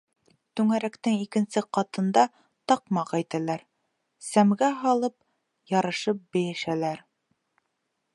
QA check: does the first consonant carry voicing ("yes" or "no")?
no